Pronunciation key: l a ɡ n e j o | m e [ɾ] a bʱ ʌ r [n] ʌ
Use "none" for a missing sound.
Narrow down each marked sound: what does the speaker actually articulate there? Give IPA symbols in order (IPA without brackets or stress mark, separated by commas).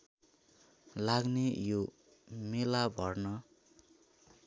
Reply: l, n